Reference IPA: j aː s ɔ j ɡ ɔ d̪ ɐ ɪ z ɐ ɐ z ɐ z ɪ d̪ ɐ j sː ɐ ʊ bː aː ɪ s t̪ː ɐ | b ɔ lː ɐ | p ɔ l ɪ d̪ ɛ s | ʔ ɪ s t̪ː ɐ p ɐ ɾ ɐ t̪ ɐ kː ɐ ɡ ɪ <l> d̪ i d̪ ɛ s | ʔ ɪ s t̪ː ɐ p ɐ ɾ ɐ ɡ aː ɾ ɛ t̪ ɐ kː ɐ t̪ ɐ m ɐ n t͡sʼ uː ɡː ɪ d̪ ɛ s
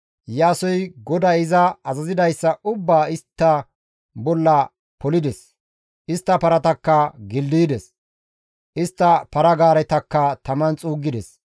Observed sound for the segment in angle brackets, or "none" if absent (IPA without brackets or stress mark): l